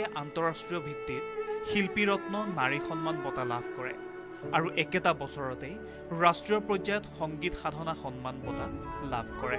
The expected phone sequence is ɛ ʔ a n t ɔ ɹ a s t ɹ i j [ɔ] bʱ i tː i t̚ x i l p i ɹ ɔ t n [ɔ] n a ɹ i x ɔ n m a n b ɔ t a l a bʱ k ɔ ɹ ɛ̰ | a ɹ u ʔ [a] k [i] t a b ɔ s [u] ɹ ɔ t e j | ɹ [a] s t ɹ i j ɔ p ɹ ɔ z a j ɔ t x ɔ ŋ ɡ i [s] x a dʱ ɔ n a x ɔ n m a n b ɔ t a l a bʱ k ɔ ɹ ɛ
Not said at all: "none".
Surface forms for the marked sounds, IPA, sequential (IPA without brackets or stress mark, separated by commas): ɔ, ɔ, ɛ, ɛ, ɔ, a, t